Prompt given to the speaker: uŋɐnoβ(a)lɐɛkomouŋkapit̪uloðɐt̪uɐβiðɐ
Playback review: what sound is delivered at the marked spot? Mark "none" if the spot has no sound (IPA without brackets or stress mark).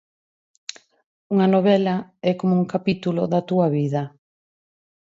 ɛ